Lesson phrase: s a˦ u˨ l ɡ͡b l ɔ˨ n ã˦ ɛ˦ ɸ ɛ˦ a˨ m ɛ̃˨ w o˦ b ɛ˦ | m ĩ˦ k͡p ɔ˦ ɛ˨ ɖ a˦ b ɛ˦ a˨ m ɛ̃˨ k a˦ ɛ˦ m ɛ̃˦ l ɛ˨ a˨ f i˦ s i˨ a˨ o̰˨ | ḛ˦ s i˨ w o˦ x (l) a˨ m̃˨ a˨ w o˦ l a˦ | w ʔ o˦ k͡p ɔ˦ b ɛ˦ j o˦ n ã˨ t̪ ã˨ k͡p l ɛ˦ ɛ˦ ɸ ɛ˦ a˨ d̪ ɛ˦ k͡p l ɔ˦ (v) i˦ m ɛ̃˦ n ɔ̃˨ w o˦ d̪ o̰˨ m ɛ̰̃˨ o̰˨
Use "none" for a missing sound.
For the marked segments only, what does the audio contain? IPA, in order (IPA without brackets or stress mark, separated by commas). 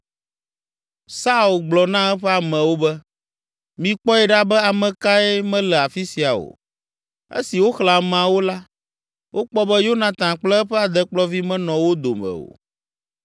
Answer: l, v